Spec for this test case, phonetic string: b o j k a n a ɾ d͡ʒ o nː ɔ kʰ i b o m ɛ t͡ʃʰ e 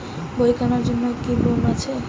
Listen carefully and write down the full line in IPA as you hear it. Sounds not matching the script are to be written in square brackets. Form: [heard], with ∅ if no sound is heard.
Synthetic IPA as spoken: b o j k a n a ɾ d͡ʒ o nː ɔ [k] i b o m [a] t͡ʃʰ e